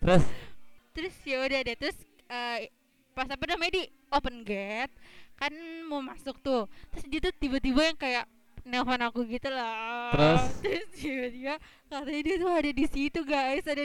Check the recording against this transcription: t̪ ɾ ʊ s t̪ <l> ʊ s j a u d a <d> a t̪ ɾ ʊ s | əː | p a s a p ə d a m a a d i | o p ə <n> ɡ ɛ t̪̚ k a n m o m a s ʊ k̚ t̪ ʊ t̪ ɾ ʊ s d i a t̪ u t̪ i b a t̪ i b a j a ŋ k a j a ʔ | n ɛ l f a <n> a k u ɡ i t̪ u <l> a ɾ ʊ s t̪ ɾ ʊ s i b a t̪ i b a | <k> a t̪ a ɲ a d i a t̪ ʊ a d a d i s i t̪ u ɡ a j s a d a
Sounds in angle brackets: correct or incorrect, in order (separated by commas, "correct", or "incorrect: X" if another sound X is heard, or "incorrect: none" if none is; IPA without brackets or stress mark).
incorrect: ɾ, correct, correct, correct, correct, correct